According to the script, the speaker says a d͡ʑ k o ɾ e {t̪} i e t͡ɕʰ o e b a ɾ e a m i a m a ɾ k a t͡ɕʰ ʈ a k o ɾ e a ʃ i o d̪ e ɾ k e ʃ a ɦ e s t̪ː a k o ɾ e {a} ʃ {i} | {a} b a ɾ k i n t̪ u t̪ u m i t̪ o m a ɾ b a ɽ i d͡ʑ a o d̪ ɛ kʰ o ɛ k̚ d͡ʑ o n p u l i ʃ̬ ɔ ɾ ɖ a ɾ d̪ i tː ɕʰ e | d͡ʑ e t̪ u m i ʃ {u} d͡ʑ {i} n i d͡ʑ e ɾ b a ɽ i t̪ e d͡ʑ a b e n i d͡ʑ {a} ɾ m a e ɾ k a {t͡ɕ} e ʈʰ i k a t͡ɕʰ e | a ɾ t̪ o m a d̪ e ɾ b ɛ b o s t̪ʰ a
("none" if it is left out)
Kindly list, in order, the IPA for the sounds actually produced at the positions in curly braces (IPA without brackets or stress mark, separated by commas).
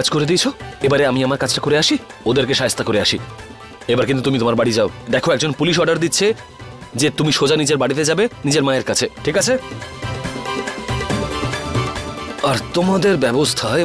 d̪, a, i, e, o, a, e, t͡ɕʰ